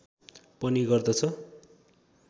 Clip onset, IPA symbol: p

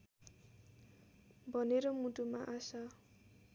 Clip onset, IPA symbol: bʱ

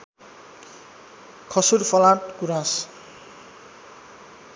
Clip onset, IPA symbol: kʰ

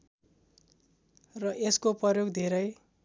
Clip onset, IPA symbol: r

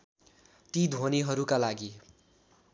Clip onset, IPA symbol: t̪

